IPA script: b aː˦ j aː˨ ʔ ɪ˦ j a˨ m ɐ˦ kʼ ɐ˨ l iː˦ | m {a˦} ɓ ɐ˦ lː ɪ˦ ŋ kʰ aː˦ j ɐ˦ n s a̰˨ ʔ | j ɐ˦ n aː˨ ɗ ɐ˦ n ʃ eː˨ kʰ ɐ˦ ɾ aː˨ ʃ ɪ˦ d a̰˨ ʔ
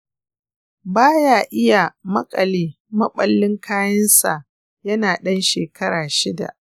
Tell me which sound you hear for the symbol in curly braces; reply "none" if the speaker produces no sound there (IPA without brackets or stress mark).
ɐ˦